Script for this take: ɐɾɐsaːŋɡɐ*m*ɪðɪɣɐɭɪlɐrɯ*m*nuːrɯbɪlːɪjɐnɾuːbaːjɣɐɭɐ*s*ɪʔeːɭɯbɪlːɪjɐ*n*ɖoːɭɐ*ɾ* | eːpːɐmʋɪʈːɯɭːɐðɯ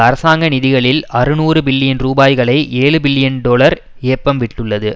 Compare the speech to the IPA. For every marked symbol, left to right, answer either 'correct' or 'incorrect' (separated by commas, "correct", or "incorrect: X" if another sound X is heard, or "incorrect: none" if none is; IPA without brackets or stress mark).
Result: incorrect: n, incorrect: none, incorrect: none, correct, correct